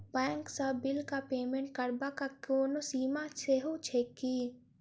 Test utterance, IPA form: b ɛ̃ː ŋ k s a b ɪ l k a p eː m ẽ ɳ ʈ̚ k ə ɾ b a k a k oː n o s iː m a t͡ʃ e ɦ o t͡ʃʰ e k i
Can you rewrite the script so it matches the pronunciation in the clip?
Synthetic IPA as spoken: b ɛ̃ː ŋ k s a b ɪ l k a p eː m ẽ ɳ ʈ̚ k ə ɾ b a k a k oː n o s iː m a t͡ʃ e ɦ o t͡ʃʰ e k i